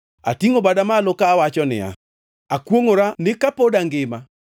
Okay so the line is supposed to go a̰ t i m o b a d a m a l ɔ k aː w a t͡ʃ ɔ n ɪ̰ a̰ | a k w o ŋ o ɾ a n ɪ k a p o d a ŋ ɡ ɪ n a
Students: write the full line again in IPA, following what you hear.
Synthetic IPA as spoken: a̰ t i ŋ o b a d a m a l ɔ k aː w a t͡ʃ ɔ n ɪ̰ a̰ | a k w o ŋ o ɾ a n ɪ k a p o d a ŋ ɡ ɪ m a